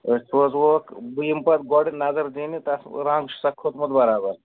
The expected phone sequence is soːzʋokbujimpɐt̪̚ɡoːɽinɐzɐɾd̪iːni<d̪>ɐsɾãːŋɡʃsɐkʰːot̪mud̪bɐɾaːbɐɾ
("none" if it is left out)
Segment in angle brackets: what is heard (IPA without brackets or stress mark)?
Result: t̪